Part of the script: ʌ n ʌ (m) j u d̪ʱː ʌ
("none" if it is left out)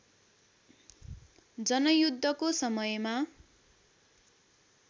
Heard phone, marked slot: none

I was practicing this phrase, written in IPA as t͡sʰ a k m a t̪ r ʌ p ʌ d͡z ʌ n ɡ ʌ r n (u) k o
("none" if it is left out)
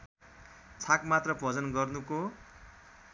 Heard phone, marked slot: u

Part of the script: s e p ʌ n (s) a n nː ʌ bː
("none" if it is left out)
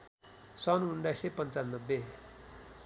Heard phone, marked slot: t͡s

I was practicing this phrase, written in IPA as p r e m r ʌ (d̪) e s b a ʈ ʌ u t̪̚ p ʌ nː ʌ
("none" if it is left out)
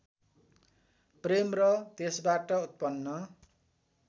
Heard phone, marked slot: t̪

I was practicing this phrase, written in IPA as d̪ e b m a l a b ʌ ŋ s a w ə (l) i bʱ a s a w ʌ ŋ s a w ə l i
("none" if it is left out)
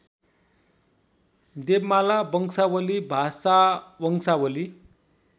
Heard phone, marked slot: l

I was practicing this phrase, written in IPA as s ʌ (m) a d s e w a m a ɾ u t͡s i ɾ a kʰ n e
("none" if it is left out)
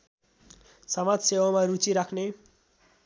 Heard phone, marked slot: m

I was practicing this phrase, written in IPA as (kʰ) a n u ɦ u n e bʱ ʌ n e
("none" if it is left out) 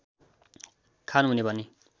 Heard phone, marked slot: kʰ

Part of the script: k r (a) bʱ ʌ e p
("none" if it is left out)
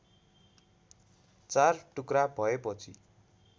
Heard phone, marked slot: a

